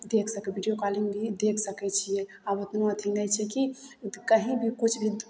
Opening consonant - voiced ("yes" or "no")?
yes